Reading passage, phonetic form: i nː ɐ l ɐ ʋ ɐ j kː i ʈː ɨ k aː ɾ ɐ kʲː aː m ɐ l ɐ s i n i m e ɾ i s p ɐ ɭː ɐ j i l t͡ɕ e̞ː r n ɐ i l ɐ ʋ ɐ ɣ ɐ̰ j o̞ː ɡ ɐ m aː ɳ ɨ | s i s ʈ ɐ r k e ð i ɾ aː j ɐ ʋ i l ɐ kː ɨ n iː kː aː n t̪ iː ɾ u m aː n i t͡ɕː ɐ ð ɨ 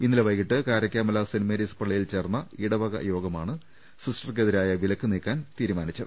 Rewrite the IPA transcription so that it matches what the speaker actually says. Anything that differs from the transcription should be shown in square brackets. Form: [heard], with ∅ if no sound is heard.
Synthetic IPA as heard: i nː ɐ l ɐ ʋ ɐ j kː i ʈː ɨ k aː ɾ ɐ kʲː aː m ɐ l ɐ s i n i m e ɾ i s p ɐ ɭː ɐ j i l t͡ɕ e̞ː r [nː] ɐ i [ɽ] ɐ ʋ ɐ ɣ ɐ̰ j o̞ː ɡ ɐ m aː ɳ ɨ | s i s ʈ ɐ r k e ð i ɾ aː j ɐ ʋ i l ɐ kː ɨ n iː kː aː n t̪ iː ɾ u m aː n i t͡ɕː ɐ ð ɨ